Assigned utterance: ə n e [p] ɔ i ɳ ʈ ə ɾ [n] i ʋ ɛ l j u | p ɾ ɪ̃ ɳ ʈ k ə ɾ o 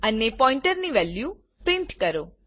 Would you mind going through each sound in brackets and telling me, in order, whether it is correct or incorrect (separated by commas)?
correct, correct